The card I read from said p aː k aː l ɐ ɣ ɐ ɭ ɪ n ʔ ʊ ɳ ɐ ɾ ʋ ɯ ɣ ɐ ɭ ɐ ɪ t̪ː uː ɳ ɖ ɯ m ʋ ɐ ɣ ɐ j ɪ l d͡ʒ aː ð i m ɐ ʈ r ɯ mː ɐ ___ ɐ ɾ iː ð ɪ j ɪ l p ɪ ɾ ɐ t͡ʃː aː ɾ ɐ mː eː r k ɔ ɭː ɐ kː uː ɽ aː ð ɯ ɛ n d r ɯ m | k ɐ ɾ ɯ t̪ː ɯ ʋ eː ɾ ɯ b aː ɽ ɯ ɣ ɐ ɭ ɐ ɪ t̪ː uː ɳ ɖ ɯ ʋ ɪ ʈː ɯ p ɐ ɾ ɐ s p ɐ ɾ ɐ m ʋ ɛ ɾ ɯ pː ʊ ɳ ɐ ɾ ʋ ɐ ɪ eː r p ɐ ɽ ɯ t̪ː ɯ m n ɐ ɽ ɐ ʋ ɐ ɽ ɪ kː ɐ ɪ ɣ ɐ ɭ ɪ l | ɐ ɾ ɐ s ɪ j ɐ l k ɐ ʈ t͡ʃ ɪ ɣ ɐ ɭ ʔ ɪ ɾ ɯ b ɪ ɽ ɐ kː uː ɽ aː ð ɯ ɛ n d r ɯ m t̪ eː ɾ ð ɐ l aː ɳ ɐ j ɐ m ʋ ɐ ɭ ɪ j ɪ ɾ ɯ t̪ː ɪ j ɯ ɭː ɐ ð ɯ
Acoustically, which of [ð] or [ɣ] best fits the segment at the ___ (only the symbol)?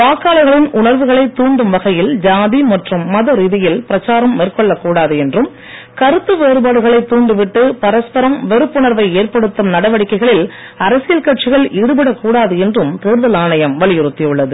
ð